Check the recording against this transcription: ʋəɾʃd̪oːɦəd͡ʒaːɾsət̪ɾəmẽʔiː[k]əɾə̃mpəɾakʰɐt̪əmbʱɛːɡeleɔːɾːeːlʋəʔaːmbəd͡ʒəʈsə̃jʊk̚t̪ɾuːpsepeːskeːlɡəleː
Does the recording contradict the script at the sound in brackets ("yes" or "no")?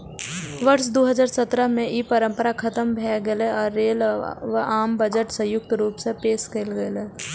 yes